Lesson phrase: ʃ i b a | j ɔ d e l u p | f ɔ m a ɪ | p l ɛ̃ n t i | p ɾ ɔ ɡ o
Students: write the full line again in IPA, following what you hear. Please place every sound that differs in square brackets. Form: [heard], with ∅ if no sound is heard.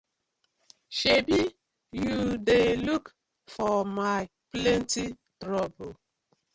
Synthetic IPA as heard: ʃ [e] b [i] | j [u] d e l u [k] | f ɔ m a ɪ | p l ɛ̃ n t i | [t] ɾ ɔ [b] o